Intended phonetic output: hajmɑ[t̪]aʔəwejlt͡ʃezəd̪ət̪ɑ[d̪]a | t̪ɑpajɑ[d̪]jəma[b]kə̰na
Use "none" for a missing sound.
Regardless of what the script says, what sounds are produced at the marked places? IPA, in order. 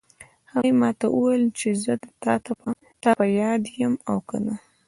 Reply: t̪, t̪, d̪, w

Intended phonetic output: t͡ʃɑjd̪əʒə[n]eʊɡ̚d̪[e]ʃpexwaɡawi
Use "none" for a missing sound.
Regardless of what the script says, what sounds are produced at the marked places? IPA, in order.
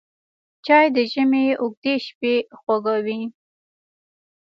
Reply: m, e

